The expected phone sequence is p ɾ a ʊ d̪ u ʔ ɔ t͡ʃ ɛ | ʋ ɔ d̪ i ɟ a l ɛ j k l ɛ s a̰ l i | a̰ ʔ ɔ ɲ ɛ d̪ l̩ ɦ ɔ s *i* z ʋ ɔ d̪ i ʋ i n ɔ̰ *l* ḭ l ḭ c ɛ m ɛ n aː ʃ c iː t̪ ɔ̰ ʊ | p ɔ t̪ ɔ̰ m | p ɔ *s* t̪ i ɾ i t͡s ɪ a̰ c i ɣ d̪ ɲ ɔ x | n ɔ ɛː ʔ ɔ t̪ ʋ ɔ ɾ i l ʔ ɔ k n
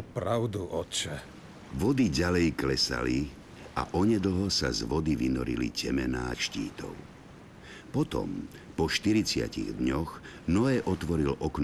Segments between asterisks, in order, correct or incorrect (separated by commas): incorrect, incorrect, incorrect